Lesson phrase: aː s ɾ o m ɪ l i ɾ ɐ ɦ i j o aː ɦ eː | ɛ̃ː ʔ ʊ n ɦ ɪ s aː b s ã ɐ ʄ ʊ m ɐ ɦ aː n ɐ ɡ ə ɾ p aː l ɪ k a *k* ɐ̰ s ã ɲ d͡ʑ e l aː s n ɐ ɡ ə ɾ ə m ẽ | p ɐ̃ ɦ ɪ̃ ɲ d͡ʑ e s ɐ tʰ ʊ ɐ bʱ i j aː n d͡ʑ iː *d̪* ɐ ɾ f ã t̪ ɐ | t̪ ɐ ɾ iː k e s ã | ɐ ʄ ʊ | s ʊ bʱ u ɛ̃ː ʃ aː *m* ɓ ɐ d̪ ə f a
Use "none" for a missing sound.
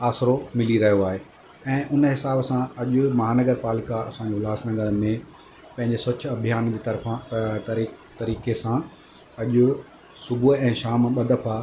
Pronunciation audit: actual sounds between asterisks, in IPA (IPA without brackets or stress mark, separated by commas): none, t̪, m